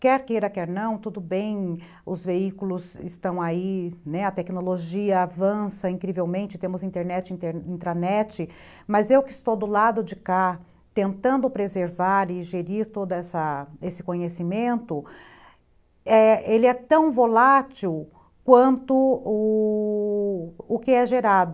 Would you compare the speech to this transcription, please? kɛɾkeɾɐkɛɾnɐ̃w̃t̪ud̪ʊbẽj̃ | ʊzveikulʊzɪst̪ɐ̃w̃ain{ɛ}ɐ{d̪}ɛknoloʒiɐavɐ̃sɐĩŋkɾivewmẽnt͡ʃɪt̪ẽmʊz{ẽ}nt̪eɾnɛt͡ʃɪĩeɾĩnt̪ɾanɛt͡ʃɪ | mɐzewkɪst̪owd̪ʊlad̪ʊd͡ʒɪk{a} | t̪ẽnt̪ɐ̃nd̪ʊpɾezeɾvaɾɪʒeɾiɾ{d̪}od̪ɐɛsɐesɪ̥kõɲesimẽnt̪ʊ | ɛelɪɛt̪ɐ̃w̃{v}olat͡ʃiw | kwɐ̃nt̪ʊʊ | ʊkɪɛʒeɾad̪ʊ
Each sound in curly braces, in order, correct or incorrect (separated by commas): correct, incorrect, incorrect, correct, incorrect, correct